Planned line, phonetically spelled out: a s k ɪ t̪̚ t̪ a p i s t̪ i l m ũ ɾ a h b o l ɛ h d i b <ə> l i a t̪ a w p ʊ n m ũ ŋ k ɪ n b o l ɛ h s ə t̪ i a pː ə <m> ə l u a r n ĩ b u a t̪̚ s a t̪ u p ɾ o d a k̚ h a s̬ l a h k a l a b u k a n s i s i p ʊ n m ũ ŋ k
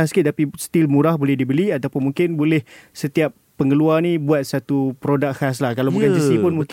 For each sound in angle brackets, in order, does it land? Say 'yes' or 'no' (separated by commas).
yes, no